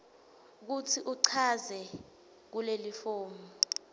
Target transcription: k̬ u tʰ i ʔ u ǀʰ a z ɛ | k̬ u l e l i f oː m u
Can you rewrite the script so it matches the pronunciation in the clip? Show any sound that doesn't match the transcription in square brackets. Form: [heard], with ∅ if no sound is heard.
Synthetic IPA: k̬ u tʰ i ʔ u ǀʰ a z ɛ | k̬ u l e l i f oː m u